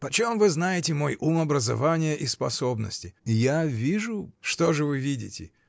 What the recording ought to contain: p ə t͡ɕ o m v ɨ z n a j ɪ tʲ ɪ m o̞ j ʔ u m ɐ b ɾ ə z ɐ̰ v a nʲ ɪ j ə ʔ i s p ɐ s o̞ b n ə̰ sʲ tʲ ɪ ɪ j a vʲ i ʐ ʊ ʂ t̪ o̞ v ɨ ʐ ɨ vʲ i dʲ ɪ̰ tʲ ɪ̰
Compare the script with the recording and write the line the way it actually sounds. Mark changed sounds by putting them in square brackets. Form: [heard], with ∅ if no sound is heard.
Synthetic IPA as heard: p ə t͡ɕ o m v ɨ z n a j ɪ tʲ ɪ m o̞ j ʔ u m ɐ b ɾ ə z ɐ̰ v a nʲ ɪ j ə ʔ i s p ɐ s o̞ b n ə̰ sʲ tʲ ɪ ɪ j a vʲ i ʐ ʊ ʂ t̪ o̞ [ʐ] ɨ [v] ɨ vʲ i dʲ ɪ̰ tʲ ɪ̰